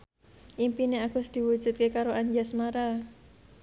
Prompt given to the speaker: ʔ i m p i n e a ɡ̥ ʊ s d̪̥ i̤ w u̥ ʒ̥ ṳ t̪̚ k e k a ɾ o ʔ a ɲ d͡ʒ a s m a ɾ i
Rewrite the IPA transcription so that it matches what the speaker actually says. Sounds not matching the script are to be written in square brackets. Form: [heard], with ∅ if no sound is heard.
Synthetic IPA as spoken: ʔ i m p i n e a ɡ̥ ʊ s d̪̥ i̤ w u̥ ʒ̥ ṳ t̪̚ k e k a ɾ o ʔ a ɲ d͡ʒ a s m a ɾ [a]